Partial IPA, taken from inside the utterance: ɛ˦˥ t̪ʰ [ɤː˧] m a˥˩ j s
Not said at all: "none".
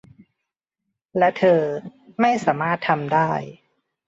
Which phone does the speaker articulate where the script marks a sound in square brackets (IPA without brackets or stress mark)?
ɤː˧